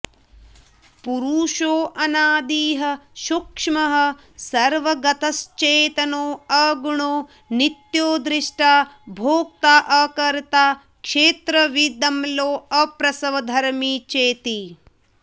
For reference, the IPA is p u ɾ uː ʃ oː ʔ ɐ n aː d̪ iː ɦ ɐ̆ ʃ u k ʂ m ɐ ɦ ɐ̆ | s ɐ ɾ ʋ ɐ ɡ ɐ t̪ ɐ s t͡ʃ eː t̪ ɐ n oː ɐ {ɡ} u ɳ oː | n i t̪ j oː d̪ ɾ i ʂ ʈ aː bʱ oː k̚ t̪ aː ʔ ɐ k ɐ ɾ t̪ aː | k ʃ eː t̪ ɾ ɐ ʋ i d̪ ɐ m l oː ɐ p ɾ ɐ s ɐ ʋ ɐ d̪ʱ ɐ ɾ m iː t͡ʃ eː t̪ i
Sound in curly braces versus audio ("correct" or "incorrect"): correct